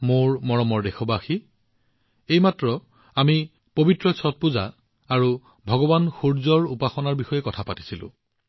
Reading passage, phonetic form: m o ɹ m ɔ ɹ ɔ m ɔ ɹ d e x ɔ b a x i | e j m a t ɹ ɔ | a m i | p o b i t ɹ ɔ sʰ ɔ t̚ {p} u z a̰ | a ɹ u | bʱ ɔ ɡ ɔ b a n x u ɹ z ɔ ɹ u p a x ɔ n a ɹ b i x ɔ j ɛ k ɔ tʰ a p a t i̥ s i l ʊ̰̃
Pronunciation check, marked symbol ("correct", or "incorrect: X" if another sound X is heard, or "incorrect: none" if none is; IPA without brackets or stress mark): correct